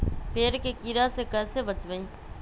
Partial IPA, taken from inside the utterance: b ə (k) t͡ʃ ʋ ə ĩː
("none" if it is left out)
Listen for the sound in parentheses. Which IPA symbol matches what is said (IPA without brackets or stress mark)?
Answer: none